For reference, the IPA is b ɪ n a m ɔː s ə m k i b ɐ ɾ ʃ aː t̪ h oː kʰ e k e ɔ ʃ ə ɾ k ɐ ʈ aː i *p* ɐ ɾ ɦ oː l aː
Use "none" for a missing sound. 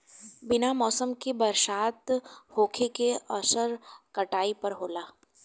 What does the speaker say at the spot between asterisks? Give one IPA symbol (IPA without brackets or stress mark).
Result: p